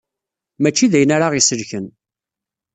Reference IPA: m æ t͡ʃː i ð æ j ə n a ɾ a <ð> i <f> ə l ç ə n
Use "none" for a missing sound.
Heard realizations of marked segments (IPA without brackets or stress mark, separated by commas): ʁ, s